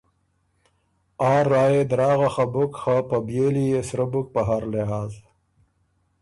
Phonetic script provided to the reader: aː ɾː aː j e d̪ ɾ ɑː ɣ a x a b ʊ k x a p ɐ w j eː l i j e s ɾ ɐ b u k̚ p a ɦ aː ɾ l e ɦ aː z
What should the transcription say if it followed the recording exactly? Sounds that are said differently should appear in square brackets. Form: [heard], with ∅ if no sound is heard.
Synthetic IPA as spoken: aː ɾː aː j e d̪ ɾ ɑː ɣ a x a b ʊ k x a p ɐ [b] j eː l i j e s ɾ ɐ b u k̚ p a ɦ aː ɾ l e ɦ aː z

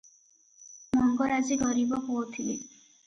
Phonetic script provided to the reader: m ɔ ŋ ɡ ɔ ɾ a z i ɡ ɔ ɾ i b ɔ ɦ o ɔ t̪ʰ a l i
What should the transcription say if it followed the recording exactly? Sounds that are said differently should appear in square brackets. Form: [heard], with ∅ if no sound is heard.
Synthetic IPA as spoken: m ɔ ŋ ɡ ɔ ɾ a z i ɡ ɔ ɾ i b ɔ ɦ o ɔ t̪ʰ [i] l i

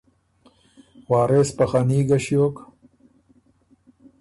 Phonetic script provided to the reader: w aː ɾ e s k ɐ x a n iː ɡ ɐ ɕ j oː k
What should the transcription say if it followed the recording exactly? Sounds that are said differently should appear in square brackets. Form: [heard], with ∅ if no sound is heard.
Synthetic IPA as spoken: w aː ɾ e s [p] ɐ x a n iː ɡ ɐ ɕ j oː k

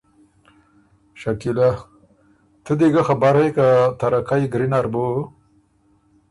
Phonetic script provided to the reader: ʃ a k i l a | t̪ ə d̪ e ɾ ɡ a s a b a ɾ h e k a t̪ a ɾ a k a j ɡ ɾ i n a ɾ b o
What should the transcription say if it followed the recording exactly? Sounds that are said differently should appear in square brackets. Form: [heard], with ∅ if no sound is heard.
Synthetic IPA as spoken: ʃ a k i l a | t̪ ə d̪ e [∅] ɡ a [x] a b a ɾ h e k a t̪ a ɾ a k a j ɡ ɾ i n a ɾ b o

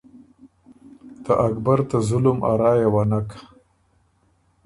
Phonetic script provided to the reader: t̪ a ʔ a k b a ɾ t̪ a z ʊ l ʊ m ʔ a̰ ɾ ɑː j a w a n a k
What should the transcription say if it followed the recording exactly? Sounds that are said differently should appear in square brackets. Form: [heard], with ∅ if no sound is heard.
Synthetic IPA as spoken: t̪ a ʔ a k b a ɾ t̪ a z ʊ l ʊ m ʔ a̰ ɾ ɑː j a w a n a k

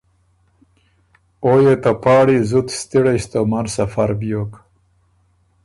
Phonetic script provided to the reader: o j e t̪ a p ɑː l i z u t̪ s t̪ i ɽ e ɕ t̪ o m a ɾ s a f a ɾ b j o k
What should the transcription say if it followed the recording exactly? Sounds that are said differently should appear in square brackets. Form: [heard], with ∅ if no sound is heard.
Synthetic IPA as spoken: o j e t̪ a p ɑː [ɽ] i z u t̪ s t̪ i ɽ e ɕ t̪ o m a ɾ s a f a ɾ b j o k

